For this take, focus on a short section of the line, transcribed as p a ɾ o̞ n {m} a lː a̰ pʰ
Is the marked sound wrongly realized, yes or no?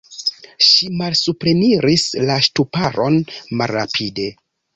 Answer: no